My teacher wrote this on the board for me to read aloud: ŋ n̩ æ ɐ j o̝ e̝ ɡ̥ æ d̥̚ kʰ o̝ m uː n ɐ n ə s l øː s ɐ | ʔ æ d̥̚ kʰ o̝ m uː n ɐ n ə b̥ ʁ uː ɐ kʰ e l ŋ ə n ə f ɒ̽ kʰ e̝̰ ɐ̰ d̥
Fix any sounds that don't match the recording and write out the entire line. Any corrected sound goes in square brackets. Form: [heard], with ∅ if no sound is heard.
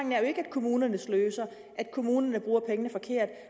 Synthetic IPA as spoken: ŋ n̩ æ ɐ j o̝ e̝ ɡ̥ æ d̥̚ kʰ o̝ m uː n ɐ n ə s l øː s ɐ | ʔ æ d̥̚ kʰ o̝ m uː n ɐ n ə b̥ ʁ uː ɐ [pʰ] e [∅] ŋ ə n ə f ɒ̽ kʰ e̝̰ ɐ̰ d̥